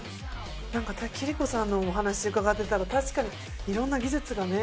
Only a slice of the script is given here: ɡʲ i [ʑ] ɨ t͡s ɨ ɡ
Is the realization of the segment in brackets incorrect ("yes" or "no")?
yes